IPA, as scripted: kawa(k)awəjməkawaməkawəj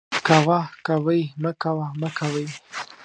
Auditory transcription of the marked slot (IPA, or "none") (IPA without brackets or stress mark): k